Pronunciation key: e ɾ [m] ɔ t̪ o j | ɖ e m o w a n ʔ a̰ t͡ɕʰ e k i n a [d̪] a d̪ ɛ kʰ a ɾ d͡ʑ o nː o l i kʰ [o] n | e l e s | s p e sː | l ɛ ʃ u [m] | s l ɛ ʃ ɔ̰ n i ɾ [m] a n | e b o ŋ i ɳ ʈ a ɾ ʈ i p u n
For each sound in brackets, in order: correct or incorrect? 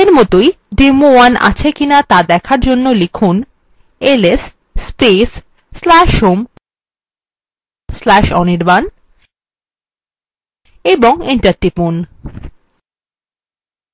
correct, incorrect, incorrect, correct, incorrect

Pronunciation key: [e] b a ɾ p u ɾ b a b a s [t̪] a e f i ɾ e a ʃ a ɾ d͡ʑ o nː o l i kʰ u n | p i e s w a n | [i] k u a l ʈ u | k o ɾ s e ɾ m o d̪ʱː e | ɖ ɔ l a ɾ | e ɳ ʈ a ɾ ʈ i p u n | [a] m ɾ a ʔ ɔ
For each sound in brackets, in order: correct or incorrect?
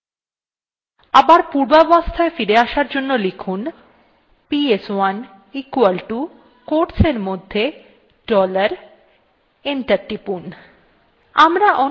incorrect, incorrect, correct, correct

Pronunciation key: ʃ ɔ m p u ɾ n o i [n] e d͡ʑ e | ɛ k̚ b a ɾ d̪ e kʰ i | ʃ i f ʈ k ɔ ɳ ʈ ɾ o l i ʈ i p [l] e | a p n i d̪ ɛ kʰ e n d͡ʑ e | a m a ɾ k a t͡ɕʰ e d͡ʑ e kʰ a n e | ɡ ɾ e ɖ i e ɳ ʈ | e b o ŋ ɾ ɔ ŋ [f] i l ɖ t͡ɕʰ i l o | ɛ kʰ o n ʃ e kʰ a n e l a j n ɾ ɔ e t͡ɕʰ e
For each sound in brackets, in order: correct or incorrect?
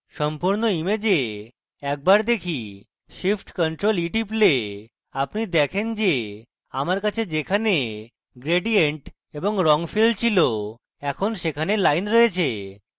incorrect, correct, correct

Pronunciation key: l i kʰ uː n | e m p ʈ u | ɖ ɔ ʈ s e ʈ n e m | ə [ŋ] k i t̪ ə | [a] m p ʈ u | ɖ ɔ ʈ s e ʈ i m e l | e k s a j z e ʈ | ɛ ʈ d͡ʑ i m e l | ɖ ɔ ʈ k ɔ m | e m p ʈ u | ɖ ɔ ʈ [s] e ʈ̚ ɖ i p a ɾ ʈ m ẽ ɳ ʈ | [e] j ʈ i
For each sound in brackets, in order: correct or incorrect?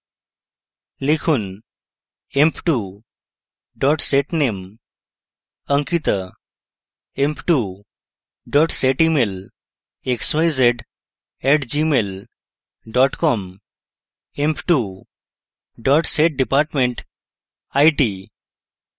correct, incorrect, correct, incorrect

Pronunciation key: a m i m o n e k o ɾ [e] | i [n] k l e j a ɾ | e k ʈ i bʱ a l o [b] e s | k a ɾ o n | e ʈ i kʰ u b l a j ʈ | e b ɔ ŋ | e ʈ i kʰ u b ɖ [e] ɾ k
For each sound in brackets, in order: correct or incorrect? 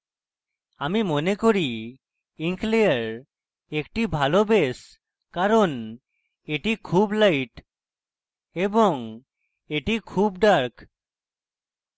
incorrect, incorrect, correct, incorrect

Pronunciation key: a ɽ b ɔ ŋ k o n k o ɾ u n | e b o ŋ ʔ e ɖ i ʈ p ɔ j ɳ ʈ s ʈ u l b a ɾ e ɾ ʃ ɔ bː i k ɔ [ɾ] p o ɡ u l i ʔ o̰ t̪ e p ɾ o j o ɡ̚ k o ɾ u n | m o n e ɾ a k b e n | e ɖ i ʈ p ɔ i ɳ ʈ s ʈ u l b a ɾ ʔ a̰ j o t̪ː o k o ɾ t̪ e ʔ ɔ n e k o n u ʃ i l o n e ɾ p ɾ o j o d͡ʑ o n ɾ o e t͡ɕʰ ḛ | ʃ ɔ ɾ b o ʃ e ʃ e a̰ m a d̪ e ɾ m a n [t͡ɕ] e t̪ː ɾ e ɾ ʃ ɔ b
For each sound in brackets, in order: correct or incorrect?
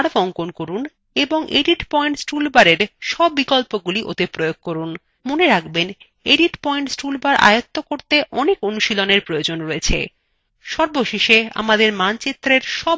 incorrect, correct

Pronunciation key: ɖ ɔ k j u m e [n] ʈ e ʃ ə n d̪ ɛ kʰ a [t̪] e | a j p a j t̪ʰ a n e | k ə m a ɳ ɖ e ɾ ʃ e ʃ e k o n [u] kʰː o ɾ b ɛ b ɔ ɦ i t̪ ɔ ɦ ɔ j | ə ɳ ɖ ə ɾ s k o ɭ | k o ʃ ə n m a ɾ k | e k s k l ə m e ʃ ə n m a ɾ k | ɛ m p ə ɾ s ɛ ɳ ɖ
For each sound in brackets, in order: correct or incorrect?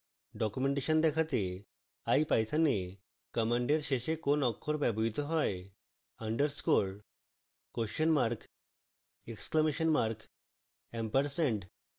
incorrect, correct, incorrect

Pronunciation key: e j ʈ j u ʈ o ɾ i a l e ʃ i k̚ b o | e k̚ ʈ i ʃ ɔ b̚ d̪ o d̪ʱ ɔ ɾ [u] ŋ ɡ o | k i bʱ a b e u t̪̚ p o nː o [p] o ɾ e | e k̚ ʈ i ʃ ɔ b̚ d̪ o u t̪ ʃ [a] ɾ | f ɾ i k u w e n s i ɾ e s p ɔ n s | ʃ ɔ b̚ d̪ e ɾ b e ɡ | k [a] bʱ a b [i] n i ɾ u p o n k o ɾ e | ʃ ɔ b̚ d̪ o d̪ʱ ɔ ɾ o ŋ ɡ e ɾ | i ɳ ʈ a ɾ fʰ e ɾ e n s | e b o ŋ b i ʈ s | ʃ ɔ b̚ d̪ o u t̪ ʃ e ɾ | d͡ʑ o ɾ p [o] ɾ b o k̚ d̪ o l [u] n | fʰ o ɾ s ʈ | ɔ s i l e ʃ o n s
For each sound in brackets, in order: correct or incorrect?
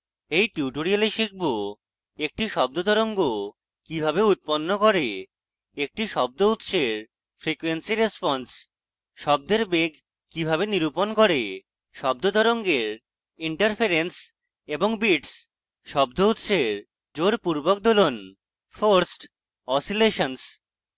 incorrect, incorrect, incorrect, incorrect, incorrect, incorrect, incorrect

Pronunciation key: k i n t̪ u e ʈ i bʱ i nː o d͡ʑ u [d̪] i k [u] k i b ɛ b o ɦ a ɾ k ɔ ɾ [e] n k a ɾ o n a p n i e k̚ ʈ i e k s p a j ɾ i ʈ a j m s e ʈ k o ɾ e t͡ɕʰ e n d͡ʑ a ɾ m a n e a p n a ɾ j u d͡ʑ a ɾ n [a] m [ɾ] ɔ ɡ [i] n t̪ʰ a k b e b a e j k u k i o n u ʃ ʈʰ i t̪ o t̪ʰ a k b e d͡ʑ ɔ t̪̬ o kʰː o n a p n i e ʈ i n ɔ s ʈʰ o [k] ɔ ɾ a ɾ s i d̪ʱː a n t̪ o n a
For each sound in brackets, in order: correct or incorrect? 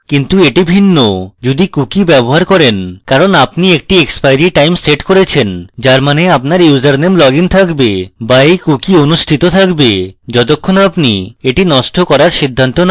correct, correct, correct, incorrect, incorrect, correct, correct

